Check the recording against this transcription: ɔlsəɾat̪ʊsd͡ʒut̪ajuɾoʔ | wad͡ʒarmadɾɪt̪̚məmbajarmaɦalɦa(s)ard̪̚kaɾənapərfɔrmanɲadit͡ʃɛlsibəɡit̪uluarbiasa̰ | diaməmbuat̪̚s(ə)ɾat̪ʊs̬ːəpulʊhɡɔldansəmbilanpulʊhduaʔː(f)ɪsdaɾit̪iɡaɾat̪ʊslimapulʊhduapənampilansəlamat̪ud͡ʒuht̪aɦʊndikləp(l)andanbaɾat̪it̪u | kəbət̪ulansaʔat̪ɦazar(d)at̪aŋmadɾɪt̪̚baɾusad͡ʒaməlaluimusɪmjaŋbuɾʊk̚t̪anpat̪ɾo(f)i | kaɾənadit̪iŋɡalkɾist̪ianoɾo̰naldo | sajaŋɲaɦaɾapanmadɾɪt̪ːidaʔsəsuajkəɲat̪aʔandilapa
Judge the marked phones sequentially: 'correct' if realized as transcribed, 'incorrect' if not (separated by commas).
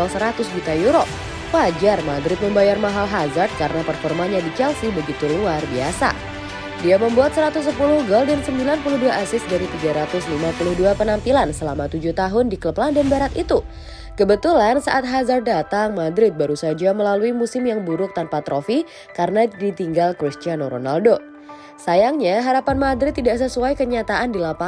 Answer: incorrect, correct, incorrect, correct, correct, correct